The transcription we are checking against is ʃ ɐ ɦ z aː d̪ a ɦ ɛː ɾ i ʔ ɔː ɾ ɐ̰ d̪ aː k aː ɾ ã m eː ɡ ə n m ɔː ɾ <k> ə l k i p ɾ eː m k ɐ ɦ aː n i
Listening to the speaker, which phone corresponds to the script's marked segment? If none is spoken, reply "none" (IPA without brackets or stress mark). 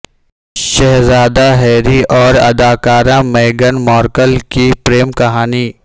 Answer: k